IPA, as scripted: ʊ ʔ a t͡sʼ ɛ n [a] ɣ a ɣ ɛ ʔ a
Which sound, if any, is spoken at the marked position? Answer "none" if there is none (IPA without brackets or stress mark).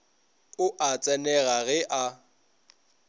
ɛ